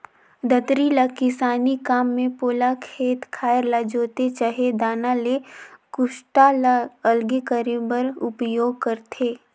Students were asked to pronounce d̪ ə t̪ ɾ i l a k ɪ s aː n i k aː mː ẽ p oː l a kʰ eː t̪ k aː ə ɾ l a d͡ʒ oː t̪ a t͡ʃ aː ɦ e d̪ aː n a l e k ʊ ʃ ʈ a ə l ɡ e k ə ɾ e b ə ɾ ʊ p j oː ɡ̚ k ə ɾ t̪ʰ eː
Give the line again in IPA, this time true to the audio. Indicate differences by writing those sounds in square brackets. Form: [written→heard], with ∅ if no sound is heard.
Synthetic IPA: d̪ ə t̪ ɾ i l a k ɪ s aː n i k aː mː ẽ p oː l a kʰ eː t̪ [k→kʰ] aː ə ɾ l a d͡ʒ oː t̪ [a→e] t͡ʃ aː ɦ e d̪ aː n a l e k ʊ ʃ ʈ a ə l ɡ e k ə ɾ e b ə ɾ ʊ p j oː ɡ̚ k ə ɾ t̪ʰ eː